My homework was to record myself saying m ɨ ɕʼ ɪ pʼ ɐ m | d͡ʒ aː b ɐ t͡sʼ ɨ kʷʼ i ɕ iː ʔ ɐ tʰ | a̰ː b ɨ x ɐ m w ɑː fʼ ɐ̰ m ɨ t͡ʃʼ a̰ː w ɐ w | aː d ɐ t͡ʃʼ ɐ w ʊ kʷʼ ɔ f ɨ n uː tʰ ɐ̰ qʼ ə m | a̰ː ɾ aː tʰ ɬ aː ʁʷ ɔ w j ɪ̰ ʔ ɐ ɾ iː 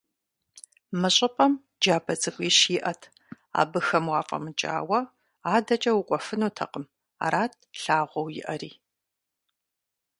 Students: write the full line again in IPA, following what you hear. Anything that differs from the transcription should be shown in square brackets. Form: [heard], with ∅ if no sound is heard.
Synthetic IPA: m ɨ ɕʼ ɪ pʼ ɐ m | d͡ʒ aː b ɐ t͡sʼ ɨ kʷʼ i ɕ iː ʔ ɐ tʰ | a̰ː b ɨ x ɐ m w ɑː fʼ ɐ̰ m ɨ t͡ʃʼ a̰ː w ɐ [∅] | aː d ɐ t͡ʃʼ ɐ w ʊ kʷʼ ɔ f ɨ n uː tʰ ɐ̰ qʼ ə m | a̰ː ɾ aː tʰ ɬ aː ʁʷ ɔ w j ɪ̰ ʔ ɐ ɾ iː